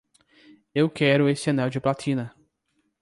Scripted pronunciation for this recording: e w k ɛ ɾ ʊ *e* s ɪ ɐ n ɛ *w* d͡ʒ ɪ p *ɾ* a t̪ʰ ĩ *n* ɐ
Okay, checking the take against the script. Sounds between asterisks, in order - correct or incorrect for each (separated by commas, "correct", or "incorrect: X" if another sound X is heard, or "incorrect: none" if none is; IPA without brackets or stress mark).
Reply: correct, correct, incorrect: l, correct